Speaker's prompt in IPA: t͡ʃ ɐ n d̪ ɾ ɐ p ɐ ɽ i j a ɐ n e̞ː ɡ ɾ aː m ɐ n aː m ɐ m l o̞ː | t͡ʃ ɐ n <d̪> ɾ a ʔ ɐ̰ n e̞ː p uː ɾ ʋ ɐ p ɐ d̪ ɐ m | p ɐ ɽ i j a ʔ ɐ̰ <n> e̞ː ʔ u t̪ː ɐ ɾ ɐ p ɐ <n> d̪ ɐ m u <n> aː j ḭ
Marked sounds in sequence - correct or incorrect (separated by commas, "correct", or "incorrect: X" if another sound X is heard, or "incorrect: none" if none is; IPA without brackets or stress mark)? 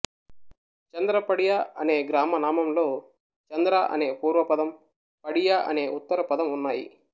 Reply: correct, correct, incorrect: none, incorrect: nː